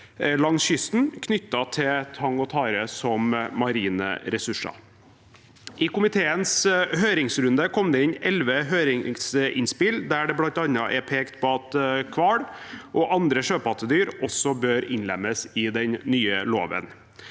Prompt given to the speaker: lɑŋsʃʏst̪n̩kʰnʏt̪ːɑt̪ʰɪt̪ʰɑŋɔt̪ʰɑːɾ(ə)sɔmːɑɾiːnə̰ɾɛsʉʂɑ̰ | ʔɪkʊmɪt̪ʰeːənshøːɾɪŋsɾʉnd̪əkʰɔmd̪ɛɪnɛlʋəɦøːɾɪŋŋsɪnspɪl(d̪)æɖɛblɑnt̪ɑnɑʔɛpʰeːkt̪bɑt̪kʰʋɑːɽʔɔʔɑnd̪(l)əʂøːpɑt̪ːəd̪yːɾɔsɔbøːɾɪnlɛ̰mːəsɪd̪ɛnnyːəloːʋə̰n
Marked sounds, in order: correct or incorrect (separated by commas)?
correct, correct, incorrect